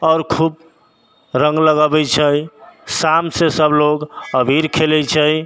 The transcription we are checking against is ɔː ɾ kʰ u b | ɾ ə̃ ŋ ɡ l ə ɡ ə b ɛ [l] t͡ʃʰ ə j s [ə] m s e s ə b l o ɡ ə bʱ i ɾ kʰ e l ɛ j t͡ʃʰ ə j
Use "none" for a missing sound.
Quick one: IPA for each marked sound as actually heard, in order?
none, a

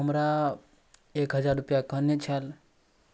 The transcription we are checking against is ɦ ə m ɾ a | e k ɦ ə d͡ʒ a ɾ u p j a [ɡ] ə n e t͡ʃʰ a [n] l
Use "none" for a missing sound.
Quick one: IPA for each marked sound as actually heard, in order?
k, none

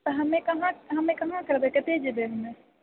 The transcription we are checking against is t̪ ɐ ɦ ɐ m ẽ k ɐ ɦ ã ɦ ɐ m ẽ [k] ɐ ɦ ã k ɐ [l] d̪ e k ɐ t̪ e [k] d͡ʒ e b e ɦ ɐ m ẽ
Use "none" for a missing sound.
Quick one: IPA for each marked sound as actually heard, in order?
k, ɾ, none

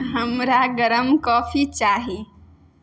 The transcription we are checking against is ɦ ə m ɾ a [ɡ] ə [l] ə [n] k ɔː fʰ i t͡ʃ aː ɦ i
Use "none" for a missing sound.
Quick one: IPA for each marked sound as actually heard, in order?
ɡ, ɾ, m

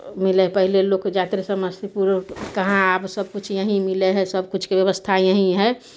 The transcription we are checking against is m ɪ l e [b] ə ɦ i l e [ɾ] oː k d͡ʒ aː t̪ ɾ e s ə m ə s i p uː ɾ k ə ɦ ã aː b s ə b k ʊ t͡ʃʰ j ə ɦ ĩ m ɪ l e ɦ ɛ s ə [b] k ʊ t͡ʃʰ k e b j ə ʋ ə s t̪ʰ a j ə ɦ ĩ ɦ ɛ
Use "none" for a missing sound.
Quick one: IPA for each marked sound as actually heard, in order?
p, l, b

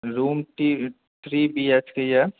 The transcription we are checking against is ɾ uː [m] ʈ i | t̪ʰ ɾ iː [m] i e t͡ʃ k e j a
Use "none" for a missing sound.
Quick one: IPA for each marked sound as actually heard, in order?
m, b

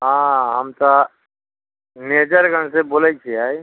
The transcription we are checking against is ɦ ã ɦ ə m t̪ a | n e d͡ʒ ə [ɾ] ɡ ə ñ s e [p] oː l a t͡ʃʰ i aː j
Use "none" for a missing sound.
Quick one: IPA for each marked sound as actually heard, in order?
ɾ, b

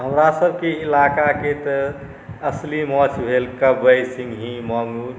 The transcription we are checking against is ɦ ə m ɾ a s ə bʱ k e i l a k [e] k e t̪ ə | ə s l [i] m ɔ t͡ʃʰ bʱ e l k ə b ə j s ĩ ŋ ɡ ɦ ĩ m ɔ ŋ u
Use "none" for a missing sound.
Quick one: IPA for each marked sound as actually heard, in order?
a, i

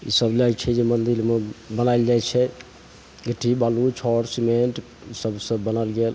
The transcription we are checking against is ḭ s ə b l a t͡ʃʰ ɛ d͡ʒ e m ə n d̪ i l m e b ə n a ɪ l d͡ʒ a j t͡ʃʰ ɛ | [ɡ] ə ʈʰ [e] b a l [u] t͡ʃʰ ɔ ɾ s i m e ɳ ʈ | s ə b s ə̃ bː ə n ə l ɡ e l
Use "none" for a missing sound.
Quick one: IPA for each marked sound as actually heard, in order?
ɡ, i, u

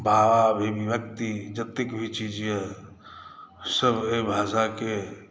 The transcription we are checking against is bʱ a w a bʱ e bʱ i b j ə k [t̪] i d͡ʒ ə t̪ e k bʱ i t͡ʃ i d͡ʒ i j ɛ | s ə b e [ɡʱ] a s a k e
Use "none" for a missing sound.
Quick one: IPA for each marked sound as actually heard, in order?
t̪, bʱ

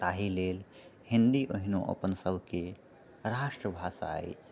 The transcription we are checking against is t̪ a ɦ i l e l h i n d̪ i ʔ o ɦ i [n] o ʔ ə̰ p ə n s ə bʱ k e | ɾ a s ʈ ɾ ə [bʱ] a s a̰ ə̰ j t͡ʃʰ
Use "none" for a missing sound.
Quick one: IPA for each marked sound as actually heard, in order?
n, bʱ

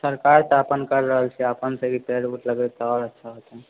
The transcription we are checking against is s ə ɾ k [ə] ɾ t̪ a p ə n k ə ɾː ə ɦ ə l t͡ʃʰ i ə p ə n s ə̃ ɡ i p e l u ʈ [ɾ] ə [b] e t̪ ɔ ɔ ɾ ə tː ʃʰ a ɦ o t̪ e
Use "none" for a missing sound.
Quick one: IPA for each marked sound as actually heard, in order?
a, l, ɡ

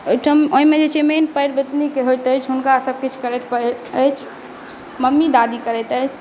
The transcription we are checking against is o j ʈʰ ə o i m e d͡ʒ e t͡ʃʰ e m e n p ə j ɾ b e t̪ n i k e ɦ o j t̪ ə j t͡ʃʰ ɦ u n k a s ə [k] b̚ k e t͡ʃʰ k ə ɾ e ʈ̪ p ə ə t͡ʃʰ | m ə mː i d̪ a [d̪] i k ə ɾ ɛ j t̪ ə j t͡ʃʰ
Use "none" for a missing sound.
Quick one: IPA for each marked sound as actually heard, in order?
none, d̪

